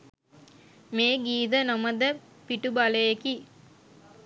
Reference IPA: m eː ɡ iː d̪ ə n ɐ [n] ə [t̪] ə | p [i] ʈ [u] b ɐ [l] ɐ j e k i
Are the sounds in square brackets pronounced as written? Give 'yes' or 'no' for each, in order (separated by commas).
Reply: no, no, yes, yes, yes